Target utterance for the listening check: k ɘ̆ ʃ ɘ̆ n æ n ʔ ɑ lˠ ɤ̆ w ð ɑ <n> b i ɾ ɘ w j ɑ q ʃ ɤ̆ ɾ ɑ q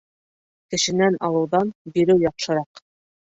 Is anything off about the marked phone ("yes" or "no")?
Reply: no